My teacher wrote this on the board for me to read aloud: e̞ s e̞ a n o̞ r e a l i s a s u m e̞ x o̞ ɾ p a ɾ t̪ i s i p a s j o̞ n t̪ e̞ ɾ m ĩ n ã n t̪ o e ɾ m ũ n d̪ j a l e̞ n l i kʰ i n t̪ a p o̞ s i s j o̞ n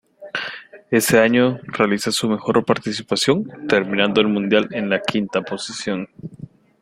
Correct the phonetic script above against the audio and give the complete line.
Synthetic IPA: e̞ s e̞ a ɲ o̞ r e a l i s a s u m e̞ x o̞ ɾ p a ɾ t̪ i s i p a s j o̞ n t̪ e̞ ɾ m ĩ n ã n d̪ o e l m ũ n d̪ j a l e̞ n l a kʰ i n t̪ a p o̞ s i s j o̞ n